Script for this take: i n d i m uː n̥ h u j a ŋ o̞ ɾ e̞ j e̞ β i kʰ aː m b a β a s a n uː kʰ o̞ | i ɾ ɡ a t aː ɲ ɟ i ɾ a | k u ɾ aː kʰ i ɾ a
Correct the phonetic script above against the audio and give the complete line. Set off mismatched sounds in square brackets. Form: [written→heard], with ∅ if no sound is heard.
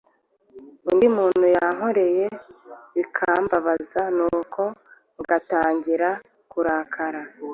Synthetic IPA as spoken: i n d i m uː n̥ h u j a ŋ o̞ ɾ e̞ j e̞ β i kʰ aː m b a β a [s→z] a n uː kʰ o̞ | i [ɾ→∅] ɡ a t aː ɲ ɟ i ɾ a | k u ɾ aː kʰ [i→a] ɾ a